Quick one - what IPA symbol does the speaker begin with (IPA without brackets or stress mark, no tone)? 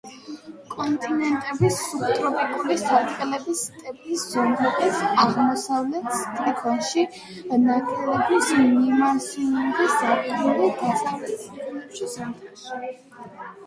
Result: kʼ